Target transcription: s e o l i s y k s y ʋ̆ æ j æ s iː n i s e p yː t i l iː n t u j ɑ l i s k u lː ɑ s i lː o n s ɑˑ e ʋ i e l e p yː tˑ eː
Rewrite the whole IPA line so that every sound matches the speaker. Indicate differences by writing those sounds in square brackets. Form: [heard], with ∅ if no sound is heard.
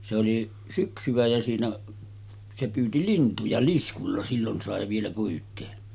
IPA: s e o l i s y k s y ʋ̆ æ j æ s iː n [æ] s e p yː t i l [i] n t u j ɑ l i s k u lː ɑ s i lː o n s ɑˑ e ʋ i e l [æ] p yː tˑ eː